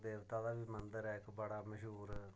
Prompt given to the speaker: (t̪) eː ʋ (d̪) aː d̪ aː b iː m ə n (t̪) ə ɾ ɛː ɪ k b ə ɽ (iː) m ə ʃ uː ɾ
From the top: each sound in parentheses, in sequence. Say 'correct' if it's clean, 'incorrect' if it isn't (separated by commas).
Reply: incorrect, incorrect, incorrect, incorrect